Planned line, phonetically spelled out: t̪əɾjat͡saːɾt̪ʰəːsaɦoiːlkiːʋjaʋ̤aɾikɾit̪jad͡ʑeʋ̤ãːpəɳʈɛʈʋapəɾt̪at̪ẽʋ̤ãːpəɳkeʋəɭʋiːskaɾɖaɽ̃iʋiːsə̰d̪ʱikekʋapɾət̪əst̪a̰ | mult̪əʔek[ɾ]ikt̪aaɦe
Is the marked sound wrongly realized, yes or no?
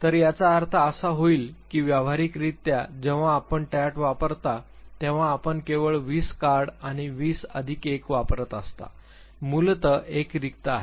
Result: no